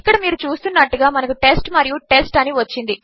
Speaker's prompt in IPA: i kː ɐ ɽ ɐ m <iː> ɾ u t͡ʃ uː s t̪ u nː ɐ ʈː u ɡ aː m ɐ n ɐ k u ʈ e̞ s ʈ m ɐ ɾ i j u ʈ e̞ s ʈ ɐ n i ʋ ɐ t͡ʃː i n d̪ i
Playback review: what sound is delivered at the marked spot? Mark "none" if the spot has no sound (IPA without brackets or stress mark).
iː